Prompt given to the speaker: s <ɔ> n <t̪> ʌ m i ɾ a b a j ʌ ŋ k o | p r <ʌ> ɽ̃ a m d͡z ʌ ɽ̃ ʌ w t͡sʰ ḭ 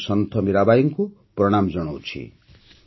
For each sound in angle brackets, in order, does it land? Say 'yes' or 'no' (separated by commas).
no, no, yes